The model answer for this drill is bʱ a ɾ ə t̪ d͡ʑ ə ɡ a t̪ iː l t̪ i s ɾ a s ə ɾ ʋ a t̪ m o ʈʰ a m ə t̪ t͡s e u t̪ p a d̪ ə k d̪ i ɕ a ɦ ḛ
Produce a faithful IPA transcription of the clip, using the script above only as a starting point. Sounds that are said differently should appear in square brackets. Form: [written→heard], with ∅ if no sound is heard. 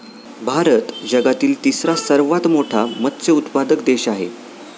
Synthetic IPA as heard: bʱ a ɾ ə t̪ d͡ʑ ə ɡ a t̪ iː l t̪ i s ɾ a s ə ɾ ʋ a t̪ m o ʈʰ a m ə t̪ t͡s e u t̪ p a d̪ ə k d̪ [i→e] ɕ a ɦ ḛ